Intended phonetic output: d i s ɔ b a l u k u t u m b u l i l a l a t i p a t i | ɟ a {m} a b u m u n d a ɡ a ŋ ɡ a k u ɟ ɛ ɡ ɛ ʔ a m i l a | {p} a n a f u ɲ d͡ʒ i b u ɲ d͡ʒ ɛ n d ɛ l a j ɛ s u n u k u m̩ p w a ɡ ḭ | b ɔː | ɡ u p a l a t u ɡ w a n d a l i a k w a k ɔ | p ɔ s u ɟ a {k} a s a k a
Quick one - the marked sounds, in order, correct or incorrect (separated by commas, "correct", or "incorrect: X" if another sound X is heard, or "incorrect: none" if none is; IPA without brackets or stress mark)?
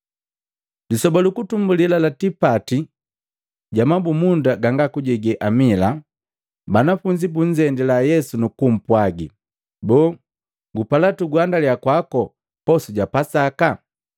correct, incorrect: b, incorrect: p